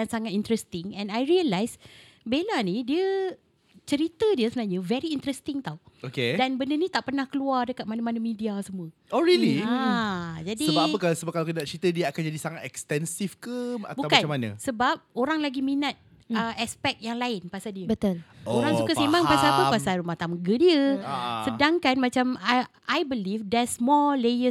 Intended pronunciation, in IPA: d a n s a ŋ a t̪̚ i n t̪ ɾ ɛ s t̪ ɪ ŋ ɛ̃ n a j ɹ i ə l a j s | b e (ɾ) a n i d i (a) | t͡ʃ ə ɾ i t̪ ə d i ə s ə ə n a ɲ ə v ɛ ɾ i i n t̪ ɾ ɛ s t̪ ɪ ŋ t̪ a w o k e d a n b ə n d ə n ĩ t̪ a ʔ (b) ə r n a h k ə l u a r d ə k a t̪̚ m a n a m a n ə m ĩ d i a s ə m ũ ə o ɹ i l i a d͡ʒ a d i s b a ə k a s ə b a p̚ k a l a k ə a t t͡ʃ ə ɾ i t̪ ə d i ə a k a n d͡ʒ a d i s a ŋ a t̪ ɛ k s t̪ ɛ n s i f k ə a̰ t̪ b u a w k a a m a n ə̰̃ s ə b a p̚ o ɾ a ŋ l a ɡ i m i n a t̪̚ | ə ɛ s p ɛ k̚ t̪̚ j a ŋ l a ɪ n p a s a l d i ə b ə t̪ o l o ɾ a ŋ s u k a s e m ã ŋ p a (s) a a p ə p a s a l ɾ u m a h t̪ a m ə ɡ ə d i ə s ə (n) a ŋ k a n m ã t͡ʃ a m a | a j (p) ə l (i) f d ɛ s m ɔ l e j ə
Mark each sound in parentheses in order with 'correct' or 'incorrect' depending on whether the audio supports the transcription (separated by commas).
incorrect, incorrect, incorrect, correct, incorrect, incorrect, correct